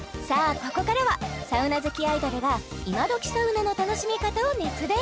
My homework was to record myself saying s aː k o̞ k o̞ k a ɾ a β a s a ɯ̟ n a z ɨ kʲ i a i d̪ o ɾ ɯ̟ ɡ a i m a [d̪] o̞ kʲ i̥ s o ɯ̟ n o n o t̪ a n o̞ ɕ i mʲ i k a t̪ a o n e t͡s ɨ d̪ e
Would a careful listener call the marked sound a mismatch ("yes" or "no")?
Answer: no